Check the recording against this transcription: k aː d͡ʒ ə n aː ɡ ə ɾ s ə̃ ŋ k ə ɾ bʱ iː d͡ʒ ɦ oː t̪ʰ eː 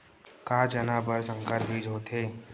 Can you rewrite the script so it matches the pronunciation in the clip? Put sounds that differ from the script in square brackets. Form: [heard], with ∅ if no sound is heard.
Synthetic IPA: k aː d͡ʒ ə n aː [b] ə ɾ s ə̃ ŋ k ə ɾ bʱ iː d͡ʒ ɦ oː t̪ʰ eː